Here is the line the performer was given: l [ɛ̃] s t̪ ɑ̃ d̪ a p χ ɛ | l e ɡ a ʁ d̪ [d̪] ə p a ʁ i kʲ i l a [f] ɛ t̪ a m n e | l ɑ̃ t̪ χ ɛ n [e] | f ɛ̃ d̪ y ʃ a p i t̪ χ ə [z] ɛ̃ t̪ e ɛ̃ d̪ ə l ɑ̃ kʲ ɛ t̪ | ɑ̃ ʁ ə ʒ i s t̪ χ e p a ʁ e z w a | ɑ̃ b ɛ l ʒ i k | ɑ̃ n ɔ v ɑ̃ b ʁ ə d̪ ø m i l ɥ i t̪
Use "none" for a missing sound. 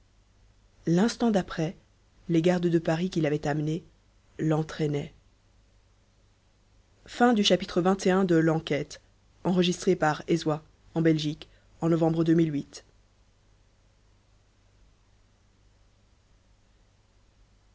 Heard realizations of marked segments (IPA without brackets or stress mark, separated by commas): ɛ̃, d̪, v, ɛ, v